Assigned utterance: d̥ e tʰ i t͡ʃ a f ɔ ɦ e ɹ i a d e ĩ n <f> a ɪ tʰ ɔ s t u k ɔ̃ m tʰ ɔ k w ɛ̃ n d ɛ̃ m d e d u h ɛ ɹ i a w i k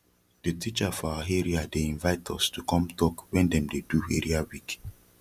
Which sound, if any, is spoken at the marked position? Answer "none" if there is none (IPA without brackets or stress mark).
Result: v